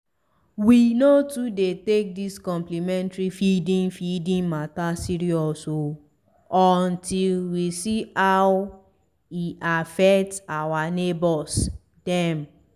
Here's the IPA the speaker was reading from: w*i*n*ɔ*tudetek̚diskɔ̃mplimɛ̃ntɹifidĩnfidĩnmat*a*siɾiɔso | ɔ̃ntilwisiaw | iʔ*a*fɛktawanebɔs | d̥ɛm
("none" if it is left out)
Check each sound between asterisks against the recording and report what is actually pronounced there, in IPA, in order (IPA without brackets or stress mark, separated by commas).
i, o, a, a